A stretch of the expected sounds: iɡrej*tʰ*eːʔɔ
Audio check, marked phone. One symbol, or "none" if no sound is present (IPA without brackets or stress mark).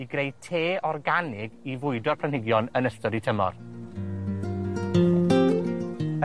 tʰ